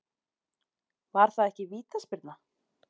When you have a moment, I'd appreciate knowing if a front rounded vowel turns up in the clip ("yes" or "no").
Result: no